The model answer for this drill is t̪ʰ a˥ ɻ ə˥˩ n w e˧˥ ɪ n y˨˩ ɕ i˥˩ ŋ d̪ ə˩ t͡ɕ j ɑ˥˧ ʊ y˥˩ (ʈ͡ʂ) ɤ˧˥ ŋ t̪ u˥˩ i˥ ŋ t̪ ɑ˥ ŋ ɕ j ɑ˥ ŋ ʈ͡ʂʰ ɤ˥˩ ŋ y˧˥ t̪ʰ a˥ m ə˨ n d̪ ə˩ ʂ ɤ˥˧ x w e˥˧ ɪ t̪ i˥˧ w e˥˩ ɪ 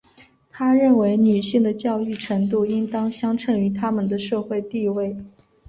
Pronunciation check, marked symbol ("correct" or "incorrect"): incorrect